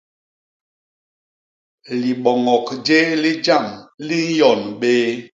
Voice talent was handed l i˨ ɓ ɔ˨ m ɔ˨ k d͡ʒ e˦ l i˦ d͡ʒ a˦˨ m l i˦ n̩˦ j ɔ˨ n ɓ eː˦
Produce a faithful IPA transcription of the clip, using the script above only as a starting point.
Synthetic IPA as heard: l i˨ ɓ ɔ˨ ŋ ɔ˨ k d͡ʒ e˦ l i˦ d͡ʒ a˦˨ m l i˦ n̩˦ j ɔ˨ n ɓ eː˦